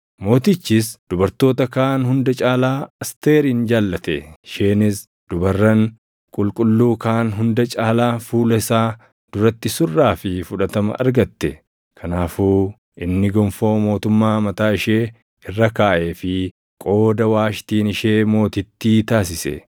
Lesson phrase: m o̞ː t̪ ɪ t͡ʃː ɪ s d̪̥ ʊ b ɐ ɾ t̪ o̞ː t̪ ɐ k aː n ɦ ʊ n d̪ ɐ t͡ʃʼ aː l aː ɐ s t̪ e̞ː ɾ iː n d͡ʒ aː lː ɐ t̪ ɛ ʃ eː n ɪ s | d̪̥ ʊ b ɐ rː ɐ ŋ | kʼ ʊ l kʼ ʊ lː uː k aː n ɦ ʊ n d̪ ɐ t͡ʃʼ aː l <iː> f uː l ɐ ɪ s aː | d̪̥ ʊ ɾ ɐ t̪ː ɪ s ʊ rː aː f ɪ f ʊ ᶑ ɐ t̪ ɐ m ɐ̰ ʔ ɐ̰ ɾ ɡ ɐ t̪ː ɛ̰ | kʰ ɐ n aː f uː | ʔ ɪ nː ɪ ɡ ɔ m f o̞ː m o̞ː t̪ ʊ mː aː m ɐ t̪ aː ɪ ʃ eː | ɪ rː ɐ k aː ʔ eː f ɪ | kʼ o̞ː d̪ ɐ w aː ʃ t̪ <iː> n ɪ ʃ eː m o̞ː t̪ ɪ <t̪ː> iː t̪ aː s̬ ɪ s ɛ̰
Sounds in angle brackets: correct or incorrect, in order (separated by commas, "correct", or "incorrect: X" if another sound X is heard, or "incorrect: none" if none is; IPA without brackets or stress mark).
incorrect: aː, correct, correct